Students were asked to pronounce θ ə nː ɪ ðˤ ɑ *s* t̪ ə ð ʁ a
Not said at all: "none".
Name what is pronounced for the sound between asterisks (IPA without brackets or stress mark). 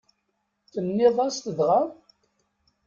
s